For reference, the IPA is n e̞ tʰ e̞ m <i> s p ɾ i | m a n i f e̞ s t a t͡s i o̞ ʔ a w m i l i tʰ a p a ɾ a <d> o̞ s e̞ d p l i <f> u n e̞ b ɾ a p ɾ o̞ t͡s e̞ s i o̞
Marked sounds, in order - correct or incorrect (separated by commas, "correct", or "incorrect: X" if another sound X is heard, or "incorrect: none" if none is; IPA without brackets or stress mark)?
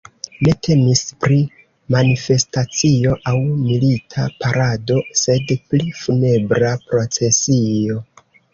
correct, correct, correct